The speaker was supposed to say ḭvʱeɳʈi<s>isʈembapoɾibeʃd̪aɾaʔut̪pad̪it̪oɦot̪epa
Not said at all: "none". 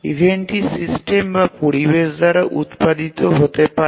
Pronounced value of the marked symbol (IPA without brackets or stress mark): s